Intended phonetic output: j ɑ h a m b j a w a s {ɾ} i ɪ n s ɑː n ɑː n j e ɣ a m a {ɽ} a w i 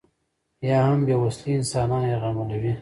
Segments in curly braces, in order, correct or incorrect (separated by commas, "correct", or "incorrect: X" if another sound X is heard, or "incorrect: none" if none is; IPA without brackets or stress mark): incorrect: l, incorrect: l